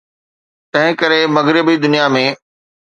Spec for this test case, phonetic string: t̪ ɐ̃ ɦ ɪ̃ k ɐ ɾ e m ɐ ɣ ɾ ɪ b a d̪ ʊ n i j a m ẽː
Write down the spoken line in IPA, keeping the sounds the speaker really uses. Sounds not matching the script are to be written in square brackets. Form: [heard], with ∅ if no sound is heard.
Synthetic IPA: t̪ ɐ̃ ɦ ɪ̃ k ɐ ɾ e m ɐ ɣ ɾ ɪ b [i] d̪ ʊ n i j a m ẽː